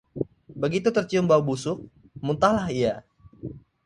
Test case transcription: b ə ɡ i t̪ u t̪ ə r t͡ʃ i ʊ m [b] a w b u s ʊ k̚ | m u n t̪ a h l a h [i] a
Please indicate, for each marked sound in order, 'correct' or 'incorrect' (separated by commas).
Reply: correct, correct